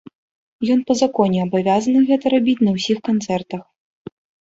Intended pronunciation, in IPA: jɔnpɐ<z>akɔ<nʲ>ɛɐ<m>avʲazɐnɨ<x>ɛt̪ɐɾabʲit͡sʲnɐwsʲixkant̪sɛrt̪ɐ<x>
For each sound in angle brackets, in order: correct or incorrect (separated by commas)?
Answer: correct, correct, incorrect, incorrect, correct